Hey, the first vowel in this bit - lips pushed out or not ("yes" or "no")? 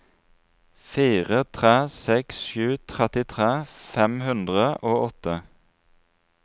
no